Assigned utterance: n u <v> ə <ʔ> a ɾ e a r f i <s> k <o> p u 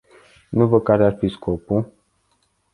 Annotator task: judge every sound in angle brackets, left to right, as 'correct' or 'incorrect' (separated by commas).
correct, incorrect, correct, correct